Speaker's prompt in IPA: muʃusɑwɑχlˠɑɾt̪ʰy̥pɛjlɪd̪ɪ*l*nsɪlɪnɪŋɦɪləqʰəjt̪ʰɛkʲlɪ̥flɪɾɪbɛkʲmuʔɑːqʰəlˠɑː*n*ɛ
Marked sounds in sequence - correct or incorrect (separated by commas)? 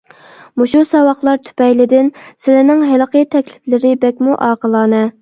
incorrect, correct